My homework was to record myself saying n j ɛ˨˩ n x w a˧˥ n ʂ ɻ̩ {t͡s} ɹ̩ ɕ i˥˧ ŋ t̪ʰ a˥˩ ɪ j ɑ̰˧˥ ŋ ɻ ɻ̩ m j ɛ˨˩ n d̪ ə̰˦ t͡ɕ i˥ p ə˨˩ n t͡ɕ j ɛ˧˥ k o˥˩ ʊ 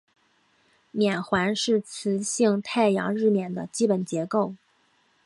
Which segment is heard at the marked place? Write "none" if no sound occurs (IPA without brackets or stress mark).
t͡sʰ